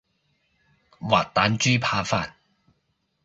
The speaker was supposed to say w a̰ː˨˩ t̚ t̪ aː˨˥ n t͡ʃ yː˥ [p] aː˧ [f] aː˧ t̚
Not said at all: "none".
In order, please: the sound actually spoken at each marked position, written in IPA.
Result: pʰ, f

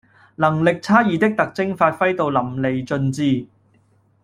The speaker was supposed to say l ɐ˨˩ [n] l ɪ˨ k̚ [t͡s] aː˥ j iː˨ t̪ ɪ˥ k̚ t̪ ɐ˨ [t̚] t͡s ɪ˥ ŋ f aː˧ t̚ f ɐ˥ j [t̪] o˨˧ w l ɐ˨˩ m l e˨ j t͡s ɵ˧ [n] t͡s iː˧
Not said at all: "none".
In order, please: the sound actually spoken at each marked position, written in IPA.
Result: ŋ, t͡sʰ, k̚, t̪, n

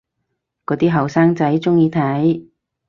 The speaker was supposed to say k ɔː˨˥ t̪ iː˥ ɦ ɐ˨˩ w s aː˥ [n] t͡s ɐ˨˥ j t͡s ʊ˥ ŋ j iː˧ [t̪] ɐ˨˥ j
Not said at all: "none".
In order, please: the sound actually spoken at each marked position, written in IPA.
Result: ŋ, t̪ʰ

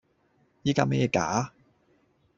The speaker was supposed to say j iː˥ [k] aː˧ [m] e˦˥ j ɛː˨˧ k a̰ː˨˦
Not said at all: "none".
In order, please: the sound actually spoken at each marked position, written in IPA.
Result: k, m

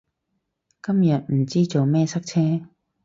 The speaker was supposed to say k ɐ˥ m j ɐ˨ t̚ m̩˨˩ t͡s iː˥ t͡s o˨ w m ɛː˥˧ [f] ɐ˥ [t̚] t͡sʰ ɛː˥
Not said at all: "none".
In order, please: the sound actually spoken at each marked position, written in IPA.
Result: s, k̚

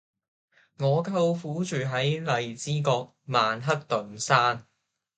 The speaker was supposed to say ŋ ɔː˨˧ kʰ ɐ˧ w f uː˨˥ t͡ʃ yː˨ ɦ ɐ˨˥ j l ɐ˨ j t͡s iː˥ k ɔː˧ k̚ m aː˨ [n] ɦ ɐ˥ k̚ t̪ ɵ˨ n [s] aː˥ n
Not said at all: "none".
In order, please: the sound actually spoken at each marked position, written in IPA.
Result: n, s

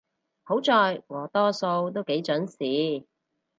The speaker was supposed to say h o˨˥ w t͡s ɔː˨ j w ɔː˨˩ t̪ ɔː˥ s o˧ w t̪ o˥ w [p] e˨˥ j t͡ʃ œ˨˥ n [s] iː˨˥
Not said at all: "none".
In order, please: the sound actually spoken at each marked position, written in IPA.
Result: k, s

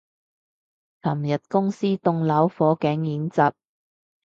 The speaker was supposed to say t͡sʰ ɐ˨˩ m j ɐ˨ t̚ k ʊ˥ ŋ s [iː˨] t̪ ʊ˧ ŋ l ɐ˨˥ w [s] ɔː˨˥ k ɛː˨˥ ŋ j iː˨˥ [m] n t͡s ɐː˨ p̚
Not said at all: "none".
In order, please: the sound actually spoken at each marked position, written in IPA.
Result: iː˥, f, none

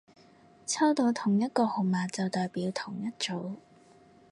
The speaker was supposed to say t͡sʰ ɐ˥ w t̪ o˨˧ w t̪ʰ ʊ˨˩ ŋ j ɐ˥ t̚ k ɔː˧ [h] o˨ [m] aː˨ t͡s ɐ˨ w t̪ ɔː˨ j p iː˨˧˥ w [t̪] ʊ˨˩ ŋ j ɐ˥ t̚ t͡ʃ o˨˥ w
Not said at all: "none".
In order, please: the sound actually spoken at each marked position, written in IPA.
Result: h, m, t̪ʰ

